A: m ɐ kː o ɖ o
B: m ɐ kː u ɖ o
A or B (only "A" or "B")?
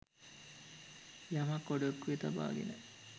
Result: A